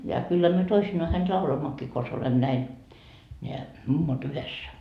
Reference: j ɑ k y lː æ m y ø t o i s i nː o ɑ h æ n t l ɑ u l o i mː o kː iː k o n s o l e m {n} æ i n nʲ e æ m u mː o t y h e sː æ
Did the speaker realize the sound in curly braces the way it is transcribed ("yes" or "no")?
yes